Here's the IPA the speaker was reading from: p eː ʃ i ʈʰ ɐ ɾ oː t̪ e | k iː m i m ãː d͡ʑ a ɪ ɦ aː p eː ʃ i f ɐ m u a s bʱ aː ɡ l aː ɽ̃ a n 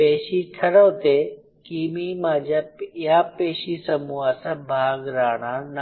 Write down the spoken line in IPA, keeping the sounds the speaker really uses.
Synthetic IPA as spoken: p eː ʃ i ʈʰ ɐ ɾ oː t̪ e | k iː m i m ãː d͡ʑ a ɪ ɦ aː p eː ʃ i s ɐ m u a s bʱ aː ɡ ɾ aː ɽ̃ a n